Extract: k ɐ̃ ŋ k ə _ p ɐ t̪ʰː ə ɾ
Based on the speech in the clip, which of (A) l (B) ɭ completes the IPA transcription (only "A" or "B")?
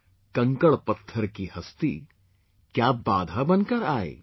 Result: B